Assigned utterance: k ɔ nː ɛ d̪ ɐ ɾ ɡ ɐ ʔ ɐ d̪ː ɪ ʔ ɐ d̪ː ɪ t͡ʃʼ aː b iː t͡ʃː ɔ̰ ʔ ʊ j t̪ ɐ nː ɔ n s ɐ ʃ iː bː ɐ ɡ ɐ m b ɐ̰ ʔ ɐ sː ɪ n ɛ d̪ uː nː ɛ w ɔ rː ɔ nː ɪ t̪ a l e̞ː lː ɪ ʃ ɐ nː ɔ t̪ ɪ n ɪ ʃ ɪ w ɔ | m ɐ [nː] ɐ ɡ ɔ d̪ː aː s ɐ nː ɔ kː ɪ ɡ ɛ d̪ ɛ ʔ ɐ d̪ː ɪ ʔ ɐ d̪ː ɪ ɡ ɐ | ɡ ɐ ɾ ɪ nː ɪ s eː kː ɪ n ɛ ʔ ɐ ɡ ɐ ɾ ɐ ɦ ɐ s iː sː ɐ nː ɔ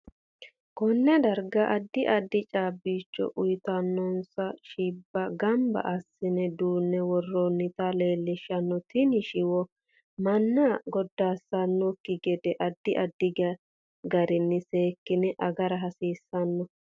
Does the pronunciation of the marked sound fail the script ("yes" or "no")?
no